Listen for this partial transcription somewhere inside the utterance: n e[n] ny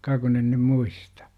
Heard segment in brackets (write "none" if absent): n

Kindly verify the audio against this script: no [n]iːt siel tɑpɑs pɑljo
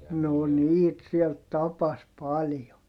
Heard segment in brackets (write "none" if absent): n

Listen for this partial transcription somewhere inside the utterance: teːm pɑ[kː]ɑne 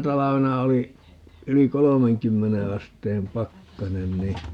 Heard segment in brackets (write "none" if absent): kː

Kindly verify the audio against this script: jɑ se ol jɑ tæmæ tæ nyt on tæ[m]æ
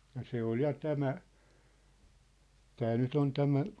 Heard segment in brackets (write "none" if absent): m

